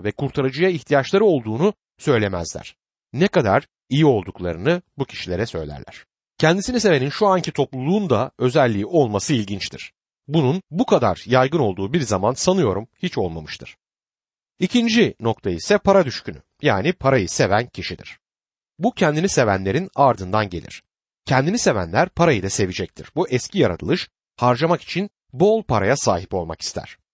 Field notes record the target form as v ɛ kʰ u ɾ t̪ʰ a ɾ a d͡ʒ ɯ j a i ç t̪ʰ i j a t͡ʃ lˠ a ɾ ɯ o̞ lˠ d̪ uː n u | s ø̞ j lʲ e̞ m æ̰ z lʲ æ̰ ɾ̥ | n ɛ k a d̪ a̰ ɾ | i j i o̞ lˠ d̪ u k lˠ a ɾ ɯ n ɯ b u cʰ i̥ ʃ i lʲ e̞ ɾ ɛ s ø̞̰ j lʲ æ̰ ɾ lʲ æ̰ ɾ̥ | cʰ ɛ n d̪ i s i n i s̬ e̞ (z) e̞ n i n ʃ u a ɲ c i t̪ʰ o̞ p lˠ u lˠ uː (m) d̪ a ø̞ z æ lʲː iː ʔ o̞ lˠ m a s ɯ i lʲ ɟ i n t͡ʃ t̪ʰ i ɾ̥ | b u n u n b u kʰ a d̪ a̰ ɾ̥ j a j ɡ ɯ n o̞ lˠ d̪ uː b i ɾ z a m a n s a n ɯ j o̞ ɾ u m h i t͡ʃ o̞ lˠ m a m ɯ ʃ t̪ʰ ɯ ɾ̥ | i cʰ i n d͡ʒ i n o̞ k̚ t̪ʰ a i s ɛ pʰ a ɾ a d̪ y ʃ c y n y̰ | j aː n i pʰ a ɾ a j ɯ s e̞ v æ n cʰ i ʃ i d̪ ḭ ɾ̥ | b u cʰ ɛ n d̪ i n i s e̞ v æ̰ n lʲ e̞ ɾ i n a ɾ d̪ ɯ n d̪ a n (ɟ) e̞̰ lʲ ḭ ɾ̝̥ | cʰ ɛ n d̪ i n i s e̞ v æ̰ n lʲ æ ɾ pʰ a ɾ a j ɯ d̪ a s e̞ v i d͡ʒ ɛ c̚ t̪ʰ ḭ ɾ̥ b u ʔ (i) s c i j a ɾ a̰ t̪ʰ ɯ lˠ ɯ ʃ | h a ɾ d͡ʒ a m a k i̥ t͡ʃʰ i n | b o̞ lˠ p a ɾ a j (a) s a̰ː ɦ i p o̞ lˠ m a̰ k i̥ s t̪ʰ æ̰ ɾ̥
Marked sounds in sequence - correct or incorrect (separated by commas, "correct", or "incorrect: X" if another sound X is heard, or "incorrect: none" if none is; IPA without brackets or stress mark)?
incorrect: v, incorrect: n, correct, incorrect: ɛ, correct